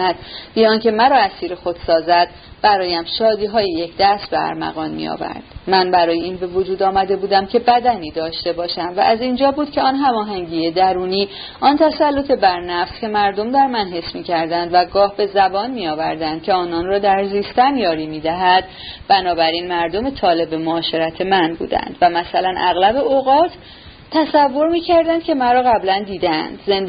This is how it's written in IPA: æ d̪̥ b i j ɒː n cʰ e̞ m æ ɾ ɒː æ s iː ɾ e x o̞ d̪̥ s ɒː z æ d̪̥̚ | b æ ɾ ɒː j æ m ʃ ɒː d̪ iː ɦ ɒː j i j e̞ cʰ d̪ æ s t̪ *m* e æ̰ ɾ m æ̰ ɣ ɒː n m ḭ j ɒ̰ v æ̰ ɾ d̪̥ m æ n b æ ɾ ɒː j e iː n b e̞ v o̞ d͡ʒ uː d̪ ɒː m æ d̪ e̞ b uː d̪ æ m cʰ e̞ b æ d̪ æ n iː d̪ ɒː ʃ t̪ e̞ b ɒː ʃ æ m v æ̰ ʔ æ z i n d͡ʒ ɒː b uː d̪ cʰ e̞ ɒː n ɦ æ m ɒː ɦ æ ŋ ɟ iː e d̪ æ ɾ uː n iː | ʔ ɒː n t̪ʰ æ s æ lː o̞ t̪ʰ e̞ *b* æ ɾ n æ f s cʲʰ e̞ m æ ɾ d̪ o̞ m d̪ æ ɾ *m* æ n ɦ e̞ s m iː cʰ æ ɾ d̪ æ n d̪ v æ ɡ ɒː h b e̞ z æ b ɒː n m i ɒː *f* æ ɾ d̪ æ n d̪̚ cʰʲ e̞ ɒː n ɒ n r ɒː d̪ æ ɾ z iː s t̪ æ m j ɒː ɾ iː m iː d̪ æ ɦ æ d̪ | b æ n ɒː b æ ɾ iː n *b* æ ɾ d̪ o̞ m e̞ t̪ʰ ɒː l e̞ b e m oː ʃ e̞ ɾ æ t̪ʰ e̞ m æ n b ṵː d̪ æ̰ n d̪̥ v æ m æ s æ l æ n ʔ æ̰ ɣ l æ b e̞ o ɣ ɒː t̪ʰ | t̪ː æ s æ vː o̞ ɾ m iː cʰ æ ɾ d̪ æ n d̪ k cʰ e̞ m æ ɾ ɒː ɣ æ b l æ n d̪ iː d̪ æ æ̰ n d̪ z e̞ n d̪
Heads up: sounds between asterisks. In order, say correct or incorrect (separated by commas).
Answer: incorrect, correct, correct, incorrect, incorrect